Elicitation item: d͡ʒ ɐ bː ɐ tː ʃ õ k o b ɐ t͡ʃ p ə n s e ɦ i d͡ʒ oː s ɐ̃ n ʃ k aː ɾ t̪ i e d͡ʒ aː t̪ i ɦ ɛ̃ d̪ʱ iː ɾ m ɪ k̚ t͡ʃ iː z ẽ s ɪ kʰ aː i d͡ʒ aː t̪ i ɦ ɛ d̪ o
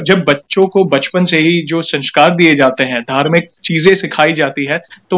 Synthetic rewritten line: d͡ʒ ɐ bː ɐ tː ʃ õ k o b ɐ t͡ʃ p ə n s e ɦ i d͡ʒ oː s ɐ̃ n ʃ k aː ɾ d̪ i e d͡ʒ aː t̪ e ɦ ɛ̃ d̪ʱ aː ɾ m ɪ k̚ t͡ʃ iː z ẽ s ɪ kʰ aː i d͡ʒ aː t̪ i ɦ ɛ t̪ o